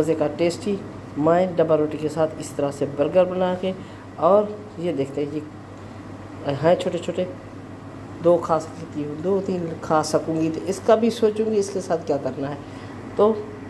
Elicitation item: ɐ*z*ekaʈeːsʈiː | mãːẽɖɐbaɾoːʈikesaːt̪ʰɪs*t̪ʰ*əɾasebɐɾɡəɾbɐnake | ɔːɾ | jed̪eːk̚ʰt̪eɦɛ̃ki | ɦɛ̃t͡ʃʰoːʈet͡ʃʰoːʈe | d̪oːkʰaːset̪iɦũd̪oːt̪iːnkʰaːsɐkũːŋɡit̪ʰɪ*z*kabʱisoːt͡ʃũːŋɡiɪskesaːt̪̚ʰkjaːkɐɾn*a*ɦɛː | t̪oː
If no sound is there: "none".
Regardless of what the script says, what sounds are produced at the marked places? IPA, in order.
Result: z, t̪, s, a

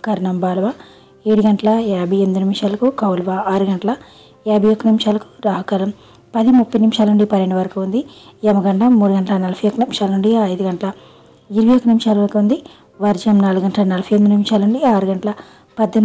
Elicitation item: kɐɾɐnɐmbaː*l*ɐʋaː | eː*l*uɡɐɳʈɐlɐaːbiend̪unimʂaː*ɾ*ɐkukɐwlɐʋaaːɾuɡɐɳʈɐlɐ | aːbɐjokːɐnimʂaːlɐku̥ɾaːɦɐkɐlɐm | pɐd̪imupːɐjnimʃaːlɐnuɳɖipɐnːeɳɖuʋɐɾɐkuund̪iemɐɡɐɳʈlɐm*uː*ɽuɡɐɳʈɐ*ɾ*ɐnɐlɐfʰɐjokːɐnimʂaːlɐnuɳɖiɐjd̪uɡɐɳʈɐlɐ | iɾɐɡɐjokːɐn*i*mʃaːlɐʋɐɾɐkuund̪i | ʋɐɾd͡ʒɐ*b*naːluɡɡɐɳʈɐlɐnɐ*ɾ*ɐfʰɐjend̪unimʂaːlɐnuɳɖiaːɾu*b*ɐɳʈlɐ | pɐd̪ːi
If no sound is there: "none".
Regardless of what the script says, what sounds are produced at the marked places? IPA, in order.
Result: l, ɽ, l, uː, l, i, m, l, ɡ

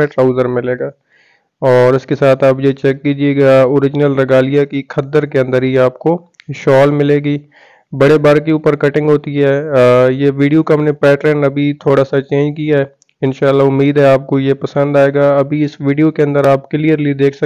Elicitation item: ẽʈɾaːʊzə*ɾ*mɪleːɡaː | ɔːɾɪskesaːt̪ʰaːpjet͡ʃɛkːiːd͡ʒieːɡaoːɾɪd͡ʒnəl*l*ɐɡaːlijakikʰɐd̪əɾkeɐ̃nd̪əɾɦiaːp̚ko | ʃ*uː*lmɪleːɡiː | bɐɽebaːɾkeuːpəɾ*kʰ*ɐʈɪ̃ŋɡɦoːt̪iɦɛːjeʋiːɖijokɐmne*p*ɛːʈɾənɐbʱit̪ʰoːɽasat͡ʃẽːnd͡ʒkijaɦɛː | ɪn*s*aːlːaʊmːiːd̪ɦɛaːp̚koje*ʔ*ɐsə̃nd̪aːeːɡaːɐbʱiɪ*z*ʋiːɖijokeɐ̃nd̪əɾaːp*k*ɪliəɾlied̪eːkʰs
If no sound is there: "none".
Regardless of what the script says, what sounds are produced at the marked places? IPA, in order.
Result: ɾ, ɾ, ɔː, k, p, ʃ, p, s, k

